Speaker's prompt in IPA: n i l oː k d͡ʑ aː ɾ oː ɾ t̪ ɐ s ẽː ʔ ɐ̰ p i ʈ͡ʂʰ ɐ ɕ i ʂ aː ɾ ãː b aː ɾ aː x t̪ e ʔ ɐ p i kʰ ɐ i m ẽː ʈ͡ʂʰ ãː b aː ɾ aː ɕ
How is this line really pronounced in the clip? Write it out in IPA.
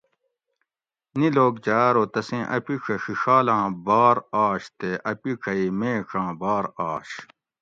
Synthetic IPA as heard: n i l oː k d͡ʑ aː ɾ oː t̪ ɐ s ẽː ʔ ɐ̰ p i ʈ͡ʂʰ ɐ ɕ i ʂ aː l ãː b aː ɾ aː ɕ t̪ e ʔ ɐ p i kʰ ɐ i m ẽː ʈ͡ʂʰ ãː b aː ɾ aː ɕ